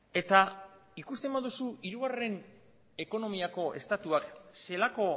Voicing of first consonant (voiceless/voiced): voiceless